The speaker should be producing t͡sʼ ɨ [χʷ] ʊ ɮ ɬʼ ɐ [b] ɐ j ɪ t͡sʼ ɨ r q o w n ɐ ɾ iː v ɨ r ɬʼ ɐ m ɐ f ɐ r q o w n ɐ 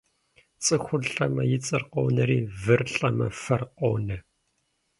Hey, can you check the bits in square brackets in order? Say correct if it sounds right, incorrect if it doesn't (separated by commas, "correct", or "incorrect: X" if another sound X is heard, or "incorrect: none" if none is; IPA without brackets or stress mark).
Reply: incorrect: xʷ, incorrect: m